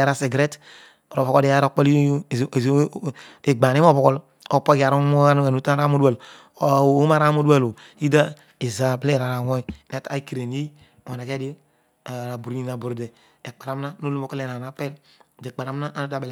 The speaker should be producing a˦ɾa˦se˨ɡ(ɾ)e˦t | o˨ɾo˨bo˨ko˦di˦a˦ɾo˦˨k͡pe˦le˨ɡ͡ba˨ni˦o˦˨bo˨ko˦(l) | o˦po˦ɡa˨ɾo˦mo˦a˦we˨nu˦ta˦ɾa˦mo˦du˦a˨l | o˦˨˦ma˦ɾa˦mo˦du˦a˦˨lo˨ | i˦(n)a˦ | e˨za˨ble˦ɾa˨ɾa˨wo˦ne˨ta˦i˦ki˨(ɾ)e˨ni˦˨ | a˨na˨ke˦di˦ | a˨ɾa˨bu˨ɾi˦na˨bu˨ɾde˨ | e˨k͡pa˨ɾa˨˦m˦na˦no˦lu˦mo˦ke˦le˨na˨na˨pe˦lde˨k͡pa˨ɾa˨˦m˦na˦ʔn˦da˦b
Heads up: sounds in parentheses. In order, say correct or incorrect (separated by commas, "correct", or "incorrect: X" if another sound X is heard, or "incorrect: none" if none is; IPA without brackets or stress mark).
correct, correct, incorrect: d, correct